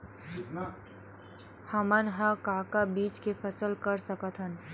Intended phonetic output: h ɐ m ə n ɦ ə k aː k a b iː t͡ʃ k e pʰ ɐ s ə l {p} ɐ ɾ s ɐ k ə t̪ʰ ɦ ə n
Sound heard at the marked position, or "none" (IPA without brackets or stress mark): k